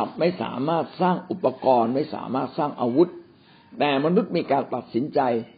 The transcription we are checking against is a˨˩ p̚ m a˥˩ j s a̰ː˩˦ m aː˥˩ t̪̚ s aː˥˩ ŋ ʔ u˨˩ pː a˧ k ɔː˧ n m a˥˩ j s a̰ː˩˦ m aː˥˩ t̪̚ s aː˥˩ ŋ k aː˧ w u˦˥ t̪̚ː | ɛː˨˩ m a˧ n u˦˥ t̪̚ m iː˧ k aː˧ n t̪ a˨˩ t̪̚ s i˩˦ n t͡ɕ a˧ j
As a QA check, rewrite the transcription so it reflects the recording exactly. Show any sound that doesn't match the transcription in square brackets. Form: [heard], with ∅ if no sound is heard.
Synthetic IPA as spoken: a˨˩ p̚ m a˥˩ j s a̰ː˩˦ m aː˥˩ t̪̚ s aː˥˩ ŋ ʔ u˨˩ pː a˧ k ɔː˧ n m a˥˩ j s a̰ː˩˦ m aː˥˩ t̪̚ s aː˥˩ ŋ [ʔ] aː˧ w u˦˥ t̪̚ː | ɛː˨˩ m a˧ n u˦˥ t̪̚ m iː˧ k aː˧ n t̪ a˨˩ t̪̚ s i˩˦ n t͡ɕ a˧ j